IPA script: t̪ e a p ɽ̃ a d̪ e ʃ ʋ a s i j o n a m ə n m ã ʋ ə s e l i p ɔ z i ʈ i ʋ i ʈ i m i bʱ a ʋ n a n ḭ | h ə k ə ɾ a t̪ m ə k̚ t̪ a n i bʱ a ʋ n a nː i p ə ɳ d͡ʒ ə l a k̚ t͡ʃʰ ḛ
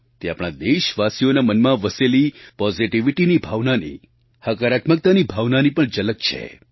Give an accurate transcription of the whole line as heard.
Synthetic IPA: t̪ e a p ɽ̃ a d̪ e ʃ ʋ a s i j o n a m ə n m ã ʋ ə s e l i p ɔ z i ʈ i ʋ i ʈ i n i bʱ a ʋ n a n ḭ | h ə k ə ɾ a t̪ m ə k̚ t̪ a n i bʱ a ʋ n a n i p ə ɳ d͡ʒ ə l ə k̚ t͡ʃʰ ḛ